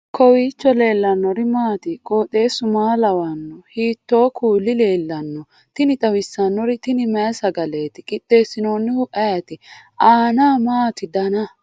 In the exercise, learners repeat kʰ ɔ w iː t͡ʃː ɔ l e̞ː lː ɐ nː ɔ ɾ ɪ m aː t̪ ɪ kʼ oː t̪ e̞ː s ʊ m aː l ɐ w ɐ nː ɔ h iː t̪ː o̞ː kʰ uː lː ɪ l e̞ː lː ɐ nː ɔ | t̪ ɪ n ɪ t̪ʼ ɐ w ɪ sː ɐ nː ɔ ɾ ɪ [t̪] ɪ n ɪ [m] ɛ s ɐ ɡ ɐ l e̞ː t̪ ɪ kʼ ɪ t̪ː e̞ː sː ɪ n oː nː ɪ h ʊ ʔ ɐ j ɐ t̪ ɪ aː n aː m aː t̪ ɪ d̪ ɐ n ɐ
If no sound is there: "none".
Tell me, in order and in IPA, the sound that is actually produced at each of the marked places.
t̪, m

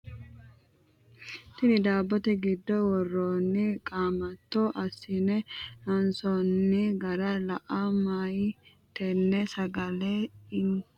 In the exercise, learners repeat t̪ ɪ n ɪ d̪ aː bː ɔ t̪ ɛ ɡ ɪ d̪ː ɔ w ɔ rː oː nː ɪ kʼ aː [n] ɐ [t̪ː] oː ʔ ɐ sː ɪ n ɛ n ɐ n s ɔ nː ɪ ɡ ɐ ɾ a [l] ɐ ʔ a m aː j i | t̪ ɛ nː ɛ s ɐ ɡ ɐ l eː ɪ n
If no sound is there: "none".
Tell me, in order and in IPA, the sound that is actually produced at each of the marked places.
m, t̪ː, l

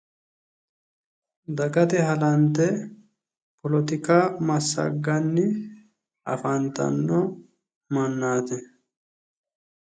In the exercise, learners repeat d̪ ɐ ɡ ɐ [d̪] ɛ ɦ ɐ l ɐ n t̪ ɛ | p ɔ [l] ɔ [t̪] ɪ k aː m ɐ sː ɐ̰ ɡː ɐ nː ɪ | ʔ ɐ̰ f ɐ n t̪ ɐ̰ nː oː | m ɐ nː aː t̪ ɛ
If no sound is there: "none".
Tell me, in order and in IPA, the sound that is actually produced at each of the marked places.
t̪, l, t̪

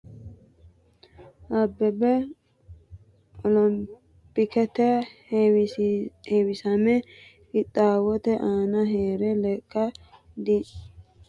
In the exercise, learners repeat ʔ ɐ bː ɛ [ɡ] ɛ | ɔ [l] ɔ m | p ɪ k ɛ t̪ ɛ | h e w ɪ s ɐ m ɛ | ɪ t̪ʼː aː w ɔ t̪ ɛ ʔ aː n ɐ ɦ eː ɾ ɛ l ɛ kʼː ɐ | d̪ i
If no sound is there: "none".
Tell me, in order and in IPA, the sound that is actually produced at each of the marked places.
b, l

